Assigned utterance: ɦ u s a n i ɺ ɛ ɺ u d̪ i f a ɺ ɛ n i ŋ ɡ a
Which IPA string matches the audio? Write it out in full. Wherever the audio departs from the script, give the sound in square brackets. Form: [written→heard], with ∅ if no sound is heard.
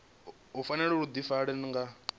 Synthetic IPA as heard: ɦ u [s→f] a n [i→ɛ] ɺ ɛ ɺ u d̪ i f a ɺ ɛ n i ŋ ɡ a